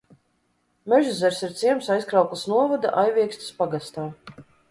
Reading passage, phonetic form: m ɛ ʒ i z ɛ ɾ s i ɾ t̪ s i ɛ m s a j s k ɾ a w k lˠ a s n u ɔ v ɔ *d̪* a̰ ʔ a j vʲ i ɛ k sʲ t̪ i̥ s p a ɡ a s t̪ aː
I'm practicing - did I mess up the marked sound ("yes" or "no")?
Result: no